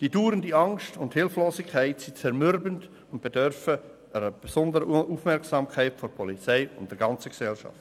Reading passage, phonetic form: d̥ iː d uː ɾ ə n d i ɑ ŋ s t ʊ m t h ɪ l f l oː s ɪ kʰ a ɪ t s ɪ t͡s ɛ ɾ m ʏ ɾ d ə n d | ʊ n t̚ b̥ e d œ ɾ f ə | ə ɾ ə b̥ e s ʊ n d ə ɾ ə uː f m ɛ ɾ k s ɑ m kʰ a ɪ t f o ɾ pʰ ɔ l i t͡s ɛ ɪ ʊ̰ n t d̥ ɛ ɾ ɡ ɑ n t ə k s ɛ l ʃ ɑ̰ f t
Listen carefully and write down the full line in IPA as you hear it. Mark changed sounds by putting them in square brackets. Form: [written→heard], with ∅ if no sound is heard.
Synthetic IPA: d̥ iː d uː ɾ ə n d i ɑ ŋ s t ʊ [m→n] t h ɪ l f l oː s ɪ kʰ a ɪ t s [ɪ→i] t͡s ɛ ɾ m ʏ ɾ [d→b] ə n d | ʊ n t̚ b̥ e d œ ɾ f ə | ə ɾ ə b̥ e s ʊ n d ə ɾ ə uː f m ɛ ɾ k s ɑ m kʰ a ɪ t f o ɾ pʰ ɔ l i t͡s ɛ ɪ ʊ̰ n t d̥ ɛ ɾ ɡ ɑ n [t→t͡s] ə k s ɛ l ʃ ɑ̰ f t

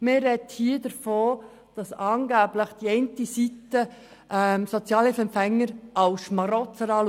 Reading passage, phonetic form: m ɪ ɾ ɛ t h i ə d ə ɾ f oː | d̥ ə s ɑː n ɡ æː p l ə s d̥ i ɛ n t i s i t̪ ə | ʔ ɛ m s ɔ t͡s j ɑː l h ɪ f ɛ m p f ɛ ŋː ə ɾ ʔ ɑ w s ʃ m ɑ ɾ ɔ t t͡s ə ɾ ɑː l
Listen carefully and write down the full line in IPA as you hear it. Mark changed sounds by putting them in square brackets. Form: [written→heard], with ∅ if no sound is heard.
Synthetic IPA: m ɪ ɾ ɛ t h i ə d ə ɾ f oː | d̥ [ə→ɑ] s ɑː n ɡ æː [p→b] l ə [s→χ] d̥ i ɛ n t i s i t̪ ə | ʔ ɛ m s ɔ t͡s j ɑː l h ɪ f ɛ m p f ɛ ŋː ə ɾ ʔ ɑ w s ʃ m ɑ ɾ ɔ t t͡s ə ɾ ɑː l

